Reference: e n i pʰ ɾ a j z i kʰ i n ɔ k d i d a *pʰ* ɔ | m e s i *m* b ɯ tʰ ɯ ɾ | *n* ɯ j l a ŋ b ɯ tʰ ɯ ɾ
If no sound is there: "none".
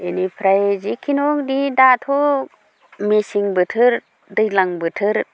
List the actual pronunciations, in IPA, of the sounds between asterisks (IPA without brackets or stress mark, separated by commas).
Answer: tʰ, ŋ, d